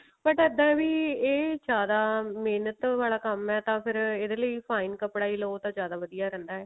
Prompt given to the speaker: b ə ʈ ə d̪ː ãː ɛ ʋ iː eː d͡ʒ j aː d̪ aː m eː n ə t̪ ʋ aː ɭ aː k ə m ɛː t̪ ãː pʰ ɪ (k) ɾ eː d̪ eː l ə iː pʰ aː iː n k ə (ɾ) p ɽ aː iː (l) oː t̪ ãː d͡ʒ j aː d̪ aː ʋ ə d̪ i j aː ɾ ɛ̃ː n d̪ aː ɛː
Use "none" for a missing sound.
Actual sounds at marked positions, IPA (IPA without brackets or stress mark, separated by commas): none, none, l